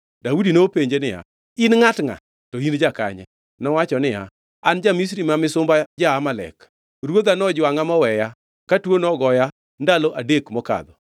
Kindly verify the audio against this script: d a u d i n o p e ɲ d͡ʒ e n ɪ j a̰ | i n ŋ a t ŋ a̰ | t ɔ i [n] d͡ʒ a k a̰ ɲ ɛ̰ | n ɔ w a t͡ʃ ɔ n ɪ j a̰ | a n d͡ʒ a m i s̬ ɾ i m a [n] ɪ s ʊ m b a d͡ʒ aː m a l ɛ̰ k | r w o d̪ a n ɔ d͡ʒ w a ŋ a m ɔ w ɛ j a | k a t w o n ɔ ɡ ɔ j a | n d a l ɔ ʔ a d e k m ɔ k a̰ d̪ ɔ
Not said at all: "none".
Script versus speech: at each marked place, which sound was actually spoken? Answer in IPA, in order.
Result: n, m

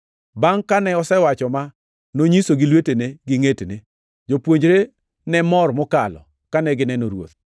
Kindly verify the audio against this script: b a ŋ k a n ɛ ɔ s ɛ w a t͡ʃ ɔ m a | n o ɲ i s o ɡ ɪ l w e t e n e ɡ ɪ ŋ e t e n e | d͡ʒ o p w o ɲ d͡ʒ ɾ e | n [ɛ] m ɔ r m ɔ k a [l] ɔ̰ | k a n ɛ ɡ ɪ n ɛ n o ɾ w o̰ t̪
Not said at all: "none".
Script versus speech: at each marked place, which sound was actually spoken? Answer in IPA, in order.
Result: ɛ, l

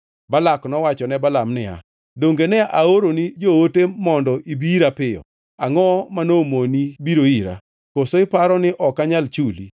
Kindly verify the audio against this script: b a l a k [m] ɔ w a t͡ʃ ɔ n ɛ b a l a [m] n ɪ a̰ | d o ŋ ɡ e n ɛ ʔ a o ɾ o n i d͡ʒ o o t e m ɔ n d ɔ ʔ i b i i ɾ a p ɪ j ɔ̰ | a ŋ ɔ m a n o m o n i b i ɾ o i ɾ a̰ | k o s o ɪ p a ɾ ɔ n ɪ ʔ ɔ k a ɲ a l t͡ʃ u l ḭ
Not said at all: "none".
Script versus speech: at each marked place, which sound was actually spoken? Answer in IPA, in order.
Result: n, m

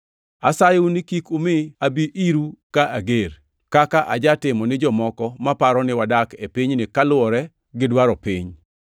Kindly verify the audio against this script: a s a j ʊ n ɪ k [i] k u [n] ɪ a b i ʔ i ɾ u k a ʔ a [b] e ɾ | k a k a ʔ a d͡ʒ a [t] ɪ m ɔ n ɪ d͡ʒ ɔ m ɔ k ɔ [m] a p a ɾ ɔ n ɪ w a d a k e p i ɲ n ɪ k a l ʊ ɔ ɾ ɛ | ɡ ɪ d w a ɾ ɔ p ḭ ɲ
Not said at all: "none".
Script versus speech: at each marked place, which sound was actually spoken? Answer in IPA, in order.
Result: i, m, ɡ, t, m

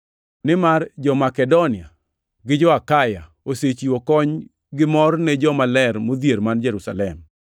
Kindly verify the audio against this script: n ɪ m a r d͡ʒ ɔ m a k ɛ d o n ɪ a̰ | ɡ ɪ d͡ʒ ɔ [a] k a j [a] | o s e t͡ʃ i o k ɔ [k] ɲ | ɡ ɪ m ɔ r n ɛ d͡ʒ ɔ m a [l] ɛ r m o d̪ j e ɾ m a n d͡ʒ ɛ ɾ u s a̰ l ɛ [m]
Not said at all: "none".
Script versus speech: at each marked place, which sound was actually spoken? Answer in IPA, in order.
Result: a, a, none, l, m

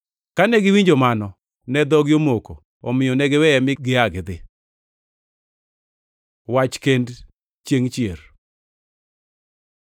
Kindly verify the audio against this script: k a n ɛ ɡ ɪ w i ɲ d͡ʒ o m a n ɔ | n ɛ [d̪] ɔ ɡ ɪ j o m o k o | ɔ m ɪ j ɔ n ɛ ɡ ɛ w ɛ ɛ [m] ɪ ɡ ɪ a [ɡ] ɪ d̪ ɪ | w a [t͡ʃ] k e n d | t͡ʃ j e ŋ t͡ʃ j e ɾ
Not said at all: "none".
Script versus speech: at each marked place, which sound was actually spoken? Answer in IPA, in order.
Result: d̪, m, ɡ, t͡ʃ

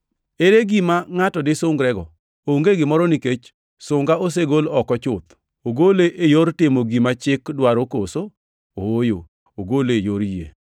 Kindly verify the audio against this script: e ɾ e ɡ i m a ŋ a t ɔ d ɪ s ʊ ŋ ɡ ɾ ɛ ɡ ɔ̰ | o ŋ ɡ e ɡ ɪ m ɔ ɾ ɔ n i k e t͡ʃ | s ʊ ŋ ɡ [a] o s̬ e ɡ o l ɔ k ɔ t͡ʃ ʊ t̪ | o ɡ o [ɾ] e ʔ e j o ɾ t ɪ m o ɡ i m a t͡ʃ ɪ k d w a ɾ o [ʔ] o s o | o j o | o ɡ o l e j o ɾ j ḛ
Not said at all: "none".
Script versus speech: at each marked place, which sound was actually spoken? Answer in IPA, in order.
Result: a, l, k

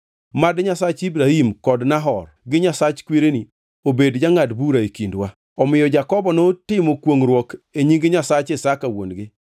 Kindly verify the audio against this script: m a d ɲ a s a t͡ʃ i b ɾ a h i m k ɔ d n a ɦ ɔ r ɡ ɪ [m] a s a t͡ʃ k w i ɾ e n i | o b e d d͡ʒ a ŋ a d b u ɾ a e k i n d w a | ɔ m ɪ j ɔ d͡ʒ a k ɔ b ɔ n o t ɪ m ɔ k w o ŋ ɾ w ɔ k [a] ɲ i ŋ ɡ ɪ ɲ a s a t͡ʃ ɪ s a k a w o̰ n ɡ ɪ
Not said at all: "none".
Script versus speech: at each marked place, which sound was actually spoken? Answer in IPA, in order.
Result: ɲ, e

